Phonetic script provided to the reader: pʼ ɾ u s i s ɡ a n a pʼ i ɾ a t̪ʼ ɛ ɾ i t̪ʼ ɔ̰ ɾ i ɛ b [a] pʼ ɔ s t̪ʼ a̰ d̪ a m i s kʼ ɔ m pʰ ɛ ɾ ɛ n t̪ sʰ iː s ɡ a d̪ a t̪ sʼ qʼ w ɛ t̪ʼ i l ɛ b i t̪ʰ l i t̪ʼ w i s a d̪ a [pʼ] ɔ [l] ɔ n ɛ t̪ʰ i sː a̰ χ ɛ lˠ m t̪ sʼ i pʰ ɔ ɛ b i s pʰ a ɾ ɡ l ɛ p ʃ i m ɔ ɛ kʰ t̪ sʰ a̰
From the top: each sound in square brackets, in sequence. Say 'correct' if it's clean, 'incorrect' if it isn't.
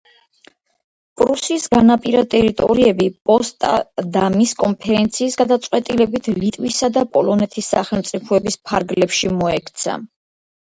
incorrect: i, correct, correct

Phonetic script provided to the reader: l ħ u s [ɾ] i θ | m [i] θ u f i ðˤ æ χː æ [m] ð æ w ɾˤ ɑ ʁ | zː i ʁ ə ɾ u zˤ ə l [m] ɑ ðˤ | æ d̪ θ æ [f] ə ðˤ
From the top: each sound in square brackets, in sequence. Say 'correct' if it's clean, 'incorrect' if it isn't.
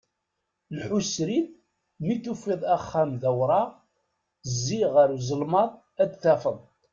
correct, correct, correct, correct, correct

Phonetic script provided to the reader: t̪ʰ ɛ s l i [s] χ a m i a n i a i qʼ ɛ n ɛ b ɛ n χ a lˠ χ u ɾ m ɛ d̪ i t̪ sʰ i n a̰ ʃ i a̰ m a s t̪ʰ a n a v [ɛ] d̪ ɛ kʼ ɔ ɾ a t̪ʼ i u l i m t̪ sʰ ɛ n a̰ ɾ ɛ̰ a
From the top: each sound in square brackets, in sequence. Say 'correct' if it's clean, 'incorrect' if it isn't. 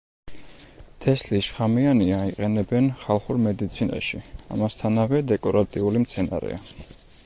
incorrect: ʃ, correct

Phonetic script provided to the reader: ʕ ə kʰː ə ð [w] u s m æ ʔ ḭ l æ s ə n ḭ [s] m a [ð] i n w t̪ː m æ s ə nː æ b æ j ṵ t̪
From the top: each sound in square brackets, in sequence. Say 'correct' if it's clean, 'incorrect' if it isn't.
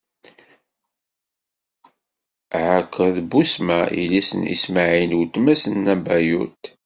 incorrect: b, correct, incorrect: ʕ

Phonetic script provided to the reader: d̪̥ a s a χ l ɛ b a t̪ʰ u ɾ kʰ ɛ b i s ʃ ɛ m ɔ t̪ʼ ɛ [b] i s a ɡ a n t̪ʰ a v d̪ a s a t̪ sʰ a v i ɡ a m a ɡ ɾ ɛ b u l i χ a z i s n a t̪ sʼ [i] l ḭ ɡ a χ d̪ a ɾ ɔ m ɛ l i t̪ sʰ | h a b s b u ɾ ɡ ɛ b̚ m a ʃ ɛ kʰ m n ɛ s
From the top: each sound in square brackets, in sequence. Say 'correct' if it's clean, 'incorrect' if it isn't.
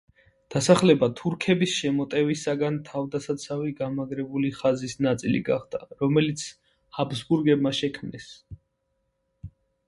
incorrect: v, correct

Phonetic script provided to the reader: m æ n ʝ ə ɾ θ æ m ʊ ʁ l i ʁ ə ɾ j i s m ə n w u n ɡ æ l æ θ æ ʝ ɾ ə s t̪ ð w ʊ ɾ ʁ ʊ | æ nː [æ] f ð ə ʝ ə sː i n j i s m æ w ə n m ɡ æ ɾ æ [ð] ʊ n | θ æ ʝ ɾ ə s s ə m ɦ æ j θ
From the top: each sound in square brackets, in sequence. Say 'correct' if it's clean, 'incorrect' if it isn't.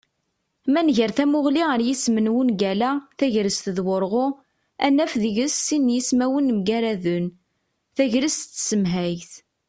correct, correct

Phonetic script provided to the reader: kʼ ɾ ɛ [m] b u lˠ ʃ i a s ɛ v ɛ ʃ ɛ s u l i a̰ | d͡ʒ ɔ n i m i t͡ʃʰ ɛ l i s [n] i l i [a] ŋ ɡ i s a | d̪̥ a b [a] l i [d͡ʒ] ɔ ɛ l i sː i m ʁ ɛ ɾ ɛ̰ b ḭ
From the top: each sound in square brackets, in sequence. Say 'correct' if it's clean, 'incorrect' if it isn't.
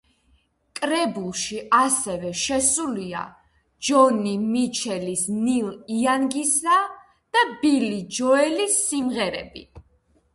incorrect: none, correct, correct, incorrect: i, correct

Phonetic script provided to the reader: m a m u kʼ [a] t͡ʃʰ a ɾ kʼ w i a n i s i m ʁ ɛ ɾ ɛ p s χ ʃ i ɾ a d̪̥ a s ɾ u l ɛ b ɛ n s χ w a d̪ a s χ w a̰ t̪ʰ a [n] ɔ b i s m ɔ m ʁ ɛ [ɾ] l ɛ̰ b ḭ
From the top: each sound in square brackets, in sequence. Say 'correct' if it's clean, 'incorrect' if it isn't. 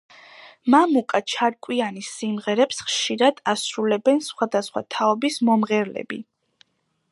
correct, incorrect: none, correct

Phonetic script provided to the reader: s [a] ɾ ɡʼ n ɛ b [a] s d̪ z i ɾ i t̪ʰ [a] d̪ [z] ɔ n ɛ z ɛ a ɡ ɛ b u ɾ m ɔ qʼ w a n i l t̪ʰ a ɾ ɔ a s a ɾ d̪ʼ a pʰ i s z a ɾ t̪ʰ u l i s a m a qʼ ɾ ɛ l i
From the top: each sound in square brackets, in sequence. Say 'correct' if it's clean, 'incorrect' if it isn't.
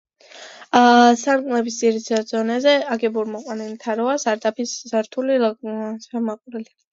correct, incorrect: i, correct, correct

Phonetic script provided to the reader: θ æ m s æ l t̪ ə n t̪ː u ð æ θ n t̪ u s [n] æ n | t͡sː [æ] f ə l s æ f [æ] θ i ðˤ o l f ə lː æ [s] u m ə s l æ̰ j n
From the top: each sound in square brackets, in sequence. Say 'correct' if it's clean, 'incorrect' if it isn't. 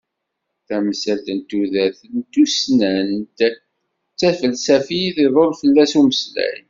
correct, correct, incorrect: i, correct

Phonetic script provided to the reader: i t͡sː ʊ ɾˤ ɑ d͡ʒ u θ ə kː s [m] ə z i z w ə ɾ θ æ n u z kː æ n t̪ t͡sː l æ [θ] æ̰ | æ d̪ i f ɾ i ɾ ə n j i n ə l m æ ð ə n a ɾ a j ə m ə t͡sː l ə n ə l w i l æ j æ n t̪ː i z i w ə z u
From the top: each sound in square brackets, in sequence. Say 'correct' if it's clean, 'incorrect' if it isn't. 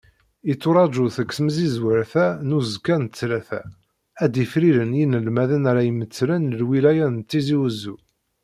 correct, correct

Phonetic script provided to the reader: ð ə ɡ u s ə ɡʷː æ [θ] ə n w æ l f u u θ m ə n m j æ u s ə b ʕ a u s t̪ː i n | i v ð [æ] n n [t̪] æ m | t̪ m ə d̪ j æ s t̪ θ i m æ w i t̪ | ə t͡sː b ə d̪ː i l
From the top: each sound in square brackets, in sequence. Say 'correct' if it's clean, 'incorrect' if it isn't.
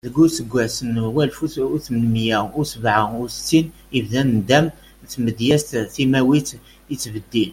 incorrect: s, correct, incorrect: d̪

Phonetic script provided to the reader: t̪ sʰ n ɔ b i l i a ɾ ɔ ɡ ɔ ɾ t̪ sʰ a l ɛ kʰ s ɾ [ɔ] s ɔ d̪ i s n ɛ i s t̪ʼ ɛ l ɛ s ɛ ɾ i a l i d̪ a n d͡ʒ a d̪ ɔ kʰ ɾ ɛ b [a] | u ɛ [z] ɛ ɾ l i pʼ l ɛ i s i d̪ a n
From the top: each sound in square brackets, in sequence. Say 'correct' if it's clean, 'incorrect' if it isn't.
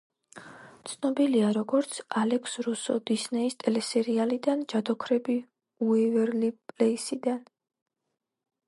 incorrect: u, incorrect: i, incorrect: v

